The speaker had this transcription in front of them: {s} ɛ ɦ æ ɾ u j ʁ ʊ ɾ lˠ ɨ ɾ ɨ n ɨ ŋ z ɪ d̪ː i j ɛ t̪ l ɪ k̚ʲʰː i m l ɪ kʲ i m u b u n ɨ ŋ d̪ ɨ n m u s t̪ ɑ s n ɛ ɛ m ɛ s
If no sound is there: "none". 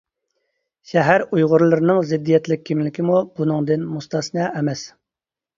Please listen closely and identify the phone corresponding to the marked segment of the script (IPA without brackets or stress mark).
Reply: ʃ